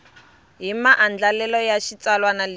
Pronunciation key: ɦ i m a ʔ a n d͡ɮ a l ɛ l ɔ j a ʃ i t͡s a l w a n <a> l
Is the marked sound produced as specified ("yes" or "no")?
yes